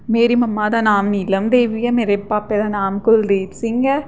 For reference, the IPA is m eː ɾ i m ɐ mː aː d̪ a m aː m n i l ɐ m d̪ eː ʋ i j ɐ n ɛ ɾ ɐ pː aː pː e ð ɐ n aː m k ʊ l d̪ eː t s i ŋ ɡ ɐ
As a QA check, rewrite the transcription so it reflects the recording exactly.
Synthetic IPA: m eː ɾ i m ɐ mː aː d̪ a n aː m n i l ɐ m d̪ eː ʋ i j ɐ m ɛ ɾ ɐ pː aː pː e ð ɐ n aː m k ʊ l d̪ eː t s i ŋ ɡ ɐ